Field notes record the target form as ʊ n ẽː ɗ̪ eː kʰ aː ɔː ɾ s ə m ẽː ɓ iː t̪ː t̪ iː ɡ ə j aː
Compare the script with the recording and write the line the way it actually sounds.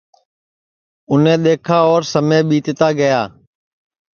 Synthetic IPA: ʊ n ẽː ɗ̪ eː kʰ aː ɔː ɾ s ə m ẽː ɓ iː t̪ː t̪ aː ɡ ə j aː